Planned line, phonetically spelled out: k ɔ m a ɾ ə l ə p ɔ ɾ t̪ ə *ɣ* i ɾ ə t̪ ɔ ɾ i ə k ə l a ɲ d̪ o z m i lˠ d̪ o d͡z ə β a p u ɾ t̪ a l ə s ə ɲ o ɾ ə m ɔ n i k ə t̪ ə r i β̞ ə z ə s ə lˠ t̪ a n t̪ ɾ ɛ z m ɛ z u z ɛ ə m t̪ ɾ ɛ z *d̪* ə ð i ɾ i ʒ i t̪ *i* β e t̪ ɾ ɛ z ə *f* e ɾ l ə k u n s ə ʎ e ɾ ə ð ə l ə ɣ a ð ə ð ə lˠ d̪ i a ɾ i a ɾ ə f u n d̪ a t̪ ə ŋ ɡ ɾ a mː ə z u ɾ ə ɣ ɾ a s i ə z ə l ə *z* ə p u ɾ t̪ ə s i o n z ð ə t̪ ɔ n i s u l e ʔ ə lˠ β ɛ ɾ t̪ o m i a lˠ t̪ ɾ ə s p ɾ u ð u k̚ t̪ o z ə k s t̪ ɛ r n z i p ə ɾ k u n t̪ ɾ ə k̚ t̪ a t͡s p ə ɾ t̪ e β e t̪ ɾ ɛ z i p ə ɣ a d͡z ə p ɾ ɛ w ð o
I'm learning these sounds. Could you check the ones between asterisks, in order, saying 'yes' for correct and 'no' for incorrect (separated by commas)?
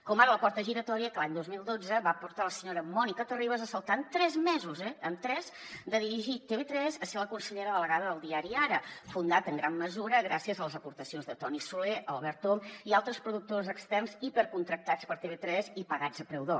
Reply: no, yes, no, no, yes